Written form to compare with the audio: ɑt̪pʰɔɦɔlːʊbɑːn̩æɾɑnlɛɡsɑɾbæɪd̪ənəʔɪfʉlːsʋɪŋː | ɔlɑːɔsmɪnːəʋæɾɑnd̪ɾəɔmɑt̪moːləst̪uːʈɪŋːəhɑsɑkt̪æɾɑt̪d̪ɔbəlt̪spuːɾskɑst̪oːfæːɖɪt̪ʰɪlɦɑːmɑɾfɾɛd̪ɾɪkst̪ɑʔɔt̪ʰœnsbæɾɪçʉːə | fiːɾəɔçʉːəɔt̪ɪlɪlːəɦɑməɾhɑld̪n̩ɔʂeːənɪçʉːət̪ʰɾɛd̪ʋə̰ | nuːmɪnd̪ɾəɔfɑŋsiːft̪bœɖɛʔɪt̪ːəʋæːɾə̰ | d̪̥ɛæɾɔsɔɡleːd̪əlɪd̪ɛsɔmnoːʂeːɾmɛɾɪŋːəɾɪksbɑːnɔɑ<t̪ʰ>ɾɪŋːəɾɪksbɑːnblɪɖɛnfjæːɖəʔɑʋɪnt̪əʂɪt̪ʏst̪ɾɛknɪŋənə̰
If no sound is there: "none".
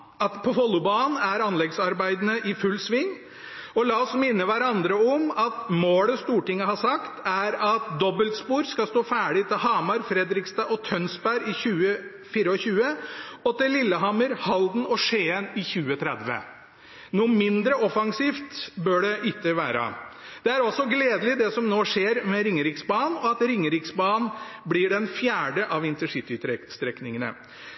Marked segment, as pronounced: t̪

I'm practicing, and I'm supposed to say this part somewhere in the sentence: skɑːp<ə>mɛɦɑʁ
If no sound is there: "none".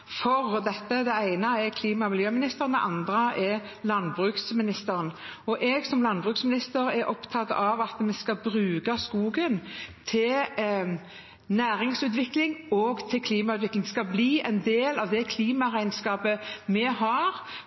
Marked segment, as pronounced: ə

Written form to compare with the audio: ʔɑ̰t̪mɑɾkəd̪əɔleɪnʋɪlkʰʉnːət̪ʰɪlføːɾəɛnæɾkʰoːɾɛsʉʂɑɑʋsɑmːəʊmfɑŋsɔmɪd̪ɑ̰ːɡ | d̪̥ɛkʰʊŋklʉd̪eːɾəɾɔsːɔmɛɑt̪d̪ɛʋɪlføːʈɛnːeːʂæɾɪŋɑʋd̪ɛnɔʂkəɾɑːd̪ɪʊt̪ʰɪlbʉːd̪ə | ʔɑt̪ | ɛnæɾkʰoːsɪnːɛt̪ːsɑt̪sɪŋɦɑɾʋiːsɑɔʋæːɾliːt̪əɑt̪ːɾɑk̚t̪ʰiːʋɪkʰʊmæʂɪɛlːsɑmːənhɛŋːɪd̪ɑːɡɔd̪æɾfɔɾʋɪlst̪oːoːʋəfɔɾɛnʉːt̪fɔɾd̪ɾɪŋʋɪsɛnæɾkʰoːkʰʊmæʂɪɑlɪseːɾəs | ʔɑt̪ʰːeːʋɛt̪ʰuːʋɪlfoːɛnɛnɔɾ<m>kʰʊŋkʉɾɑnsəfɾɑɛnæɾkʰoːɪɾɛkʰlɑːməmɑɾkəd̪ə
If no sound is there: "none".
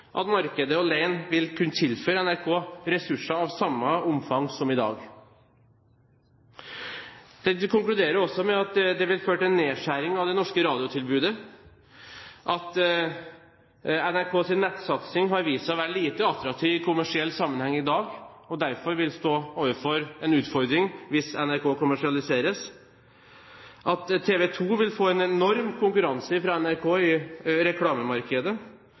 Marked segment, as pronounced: m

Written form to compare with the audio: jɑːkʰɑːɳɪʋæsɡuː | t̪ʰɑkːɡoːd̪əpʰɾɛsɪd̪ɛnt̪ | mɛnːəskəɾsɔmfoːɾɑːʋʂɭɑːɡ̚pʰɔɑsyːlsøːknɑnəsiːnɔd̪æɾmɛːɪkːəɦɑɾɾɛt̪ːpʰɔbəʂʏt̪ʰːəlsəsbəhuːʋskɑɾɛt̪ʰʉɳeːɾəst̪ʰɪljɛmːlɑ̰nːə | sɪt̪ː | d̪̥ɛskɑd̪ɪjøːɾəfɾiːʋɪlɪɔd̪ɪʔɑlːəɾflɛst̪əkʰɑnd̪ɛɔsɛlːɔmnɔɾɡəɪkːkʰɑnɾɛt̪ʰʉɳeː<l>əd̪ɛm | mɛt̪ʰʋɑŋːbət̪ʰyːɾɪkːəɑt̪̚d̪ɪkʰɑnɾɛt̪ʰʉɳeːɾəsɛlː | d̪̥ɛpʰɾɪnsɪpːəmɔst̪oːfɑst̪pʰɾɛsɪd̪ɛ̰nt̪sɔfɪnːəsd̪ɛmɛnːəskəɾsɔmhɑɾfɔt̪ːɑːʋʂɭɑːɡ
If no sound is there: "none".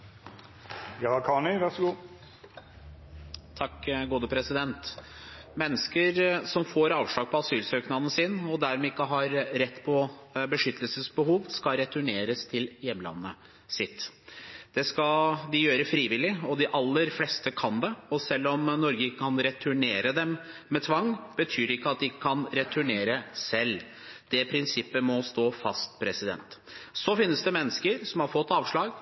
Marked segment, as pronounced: ɾ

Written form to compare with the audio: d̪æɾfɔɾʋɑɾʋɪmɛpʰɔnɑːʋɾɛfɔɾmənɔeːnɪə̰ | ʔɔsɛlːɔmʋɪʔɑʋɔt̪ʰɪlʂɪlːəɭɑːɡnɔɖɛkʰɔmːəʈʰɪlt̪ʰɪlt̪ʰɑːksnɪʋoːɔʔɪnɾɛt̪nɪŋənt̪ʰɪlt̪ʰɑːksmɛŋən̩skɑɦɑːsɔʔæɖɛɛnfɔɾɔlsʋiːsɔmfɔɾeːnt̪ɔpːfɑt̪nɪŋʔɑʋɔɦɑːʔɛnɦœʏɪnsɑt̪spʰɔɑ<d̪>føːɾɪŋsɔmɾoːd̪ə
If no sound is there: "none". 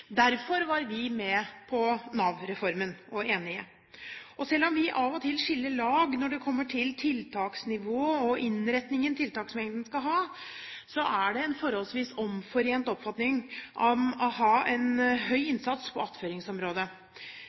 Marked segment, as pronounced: t̪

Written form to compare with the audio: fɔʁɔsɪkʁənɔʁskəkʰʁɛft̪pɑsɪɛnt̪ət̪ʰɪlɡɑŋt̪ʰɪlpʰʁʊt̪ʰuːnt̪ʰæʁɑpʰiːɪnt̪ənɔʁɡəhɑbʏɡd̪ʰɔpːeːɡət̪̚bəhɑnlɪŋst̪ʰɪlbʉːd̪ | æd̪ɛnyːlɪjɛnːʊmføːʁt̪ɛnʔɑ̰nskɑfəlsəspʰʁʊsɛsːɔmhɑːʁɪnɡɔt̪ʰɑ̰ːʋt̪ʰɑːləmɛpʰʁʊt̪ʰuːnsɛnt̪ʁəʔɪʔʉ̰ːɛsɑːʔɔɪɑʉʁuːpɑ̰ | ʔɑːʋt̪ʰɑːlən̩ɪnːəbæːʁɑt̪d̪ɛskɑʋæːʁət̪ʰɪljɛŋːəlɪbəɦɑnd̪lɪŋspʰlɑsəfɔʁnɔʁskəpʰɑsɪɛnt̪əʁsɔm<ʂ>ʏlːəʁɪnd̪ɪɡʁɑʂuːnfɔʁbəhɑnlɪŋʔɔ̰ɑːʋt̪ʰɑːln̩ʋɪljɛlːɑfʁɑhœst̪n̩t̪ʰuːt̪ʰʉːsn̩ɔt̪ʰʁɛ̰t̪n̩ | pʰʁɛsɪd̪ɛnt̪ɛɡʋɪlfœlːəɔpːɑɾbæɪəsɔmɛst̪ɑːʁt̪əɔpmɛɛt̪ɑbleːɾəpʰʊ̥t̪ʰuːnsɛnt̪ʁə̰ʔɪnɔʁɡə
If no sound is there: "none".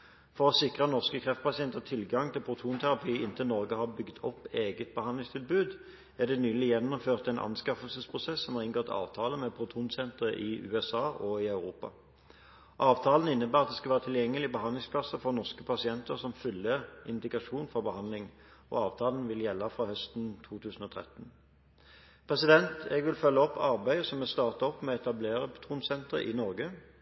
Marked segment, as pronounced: f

